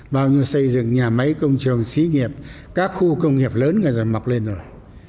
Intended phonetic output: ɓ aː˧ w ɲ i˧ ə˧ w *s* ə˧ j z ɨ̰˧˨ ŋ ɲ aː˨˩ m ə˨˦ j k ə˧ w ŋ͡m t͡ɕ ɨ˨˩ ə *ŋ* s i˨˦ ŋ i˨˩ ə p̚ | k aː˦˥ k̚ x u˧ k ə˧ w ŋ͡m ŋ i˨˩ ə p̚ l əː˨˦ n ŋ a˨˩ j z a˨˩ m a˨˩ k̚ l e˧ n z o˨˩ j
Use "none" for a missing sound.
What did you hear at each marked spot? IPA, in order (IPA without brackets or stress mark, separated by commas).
s, ŋ